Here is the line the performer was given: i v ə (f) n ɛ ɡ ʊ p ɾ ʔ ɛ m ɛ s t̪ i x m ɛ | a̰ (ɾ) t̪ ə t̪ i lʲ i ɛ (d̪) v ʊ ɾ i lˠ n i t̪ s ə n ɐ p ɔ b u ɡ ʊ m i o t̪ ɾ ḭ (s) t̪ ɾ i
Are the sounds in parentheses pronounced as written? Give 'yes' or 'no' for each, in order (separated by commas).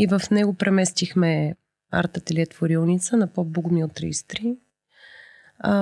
yes, yes, no, yes